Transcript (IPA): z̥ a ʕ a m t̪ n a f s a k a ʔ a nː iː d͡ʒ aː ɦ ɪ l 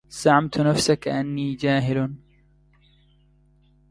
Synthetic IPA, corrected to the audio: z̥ a ʕ a m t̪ n a f s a k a ʔ a nː iː d͡ʒ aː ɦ ɪ l